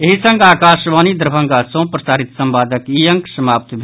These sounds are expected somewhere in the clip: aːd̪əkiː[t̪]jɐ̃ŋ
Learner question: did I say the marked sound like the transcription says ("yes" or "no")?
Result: no